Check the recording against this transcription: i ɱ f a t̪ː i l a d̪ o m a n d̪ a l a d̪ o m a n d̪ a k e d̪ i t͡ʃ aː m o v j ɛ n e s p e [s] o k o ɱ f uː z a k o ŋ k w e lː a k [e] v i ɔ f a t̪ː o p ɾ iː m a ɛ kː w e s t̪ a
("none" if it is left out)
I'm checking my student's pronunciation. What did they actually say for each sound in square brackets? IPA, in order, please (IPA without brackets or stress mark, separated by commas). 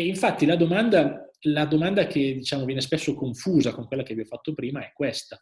sː, e